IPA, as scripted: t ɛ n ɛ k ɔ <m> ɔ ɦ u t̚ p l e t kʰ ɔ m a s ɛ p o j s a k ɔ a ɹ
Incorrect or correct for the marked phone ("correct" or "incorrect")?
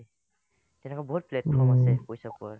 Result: incorrect